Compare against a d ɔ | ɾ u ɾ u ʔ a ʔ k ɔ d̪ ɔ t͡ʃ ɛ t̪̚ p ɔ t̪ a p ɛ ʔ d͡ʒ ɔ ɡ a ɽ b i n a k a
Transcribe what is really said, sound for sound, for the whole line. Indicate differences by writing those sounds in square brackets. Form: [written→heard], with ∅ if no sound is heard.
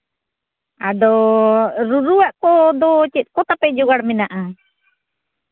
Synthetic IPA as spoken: a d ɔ | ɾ u ɾ u [ʔ→∅] a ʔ k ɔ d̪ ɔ t͡ʃ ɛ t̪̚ [p→k] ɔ t̪ a p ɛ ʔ d͡ʒ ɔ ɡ a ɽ [b→m] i n a [k→ʔ] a